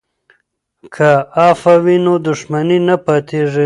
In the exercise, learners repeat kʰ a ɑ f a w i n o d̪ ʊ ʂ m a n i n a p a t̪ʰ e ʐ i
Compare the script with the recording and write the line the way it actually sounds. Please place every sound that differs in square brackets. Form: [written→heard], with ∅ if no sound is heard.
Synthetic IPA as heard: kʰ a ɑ f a w i n o d̪ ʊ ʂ m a n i n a p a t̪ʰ e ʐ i